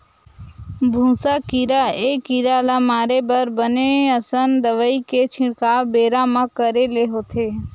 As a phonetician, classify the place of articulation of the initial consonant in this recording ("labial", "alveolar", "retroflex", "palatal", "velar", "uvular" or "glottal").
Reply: labial